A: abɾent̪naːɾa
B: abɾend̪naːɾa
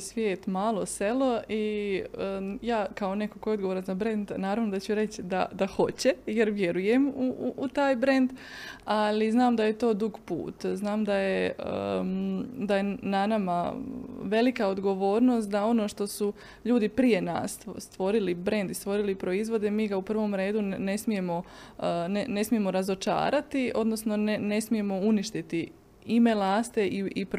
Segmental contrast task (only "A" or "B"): B